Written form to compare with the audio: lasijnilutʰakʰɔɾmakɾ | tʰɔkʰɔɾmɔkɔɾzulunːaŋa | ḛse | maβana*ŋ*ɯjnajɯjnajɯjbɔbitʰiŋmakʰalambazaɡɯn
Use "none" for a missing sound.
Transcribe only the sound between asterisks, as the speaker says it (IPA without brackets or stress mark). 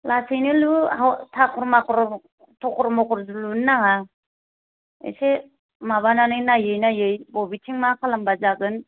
n